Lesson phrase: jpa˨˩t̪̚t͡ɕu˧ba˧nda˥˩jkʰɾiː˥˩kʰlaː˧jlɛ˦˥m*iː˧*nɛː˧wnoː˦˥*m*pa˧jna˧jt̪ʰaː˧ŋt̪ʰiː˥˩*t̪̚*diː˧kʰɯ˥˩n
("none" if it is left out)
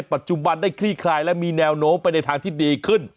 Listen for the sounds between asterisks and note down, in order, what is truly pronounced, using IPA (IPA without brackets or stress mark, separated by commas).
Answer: iː˧, m, none